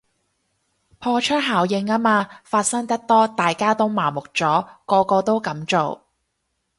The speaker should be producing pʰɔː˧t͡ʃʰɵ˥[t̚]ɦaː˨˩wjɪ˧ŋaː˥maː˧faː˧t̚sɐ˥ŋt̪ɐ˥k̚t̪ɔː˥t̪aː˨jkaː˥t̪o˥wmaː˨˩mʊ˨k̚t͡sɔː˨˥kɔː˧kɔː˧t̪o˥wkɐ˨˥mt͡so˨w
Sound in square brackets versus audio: correct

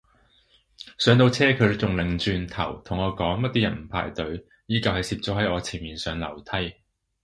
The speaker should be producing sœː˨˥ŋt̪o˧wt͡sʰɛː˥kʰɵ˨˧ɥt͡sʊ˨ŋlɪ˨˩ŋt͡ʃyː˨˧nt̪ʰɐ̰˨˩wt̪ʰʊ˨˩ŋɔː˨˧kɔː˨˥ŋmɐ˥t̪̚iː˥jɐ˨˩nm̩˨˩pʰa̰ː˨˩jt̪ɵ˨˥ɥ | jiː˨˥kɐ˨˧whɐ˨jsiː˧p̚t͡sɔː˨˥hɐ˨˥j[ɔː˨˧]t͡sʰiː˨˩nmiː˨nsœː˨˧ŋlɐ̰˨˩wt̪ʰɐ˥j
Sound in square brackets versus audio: correct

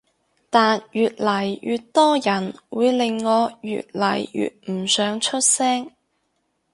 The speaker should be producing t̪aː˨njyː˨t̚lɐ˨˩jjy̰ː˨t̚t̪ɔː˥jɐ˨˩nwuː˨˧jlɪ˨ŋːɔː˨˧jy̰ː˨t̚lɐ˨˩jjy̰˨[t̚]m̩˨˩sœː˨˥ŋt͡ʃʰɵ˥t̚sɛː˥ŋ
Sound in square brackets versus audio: correct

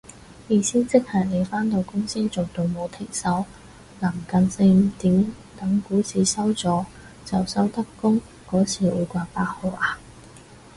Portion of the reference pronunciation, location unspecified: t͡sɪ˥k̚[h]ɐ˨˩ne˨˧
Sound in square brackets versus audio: correct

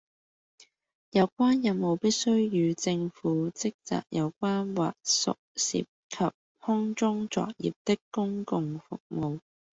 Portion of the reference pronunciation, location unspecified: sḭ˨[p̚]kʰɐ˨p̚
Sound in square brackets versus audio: correct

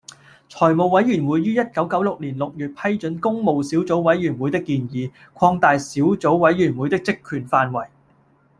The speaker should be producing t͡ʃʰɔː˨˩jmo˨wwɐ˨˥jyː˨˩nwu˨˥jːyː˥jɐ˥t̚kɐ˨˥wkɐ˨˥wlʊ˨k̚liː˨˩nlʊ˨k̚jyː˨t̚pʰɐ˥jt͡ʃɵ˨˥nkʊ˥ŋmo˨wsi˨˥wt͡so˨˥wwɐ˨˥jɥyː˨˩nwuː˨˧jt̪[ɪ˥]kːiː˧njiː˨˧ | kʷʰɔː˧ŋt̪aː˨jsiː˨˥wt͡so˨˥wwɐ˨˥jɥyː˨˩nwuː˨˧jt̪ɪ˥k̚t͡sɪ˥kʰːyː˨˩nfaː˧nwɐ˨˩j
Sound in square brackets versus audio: correct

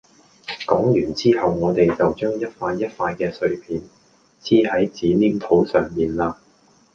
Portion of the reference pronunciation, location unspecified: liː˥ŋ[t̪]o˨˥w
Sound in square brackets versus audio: incorrect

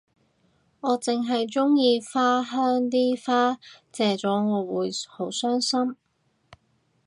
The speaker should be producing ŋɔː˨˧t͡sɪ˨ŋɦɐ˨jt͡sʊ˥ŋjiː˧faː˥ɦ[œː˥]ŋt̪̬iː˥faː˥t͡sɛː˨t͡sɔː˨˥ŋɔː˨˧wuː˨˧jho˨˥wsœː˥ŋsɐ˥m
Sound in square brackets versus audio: correct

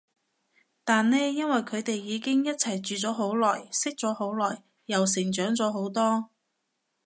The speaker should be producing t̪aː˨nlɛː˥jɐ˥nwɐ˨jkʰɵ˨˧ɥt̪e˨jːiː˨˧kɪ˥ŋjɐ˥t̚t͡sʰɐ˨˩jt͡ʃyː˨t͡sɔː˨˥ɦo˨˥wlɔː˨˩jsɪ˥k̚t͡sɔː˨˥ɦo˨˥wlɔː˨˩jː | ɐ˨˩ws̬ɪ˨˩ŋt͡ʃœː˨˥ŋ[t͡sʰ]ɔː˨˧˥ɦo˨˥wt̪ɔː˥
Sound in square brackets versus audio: incorrect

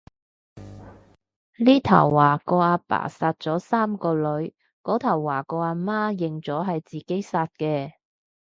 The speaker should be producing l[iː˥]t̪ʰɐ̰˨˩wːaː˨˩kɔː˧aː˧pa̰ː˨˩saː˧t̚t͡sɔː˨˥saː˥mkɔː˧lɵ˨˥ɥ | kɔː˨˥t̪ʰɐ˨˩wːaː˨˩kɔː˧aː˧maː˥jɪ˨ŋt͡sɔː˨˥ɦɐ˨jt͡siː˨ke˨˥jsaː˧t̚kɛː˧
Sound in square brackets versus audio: correct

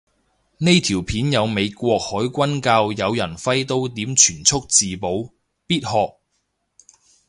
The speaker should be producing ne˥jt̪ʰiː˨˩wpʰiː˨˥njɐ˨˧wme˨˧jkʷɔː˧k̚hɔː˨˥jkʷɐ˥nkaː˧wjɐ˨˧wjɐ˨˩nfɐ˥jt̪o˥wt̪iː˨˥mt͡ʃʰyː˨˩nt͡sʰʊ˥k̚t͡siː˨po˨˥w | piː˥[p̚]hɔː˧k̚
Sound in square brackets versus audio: incorrect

